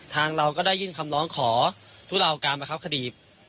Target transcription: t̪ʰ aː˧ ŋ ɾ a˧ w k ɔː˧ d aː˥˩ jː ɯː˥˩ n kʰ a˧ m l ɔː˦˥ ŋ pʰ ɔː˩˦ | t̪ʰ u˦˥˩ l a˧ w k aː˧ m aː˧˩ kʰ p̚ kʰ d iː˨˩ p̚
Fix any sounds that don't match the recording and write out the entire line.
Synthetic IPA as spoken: t̪ʰ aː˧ ŋ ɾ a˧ w k ɔː˥˩ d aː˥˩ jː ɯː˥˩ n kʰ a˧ m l ɔː˦˥ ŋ kʰ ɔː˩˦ | t̪ʰ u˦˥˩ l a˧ w k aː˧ m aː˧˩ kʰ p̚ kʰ d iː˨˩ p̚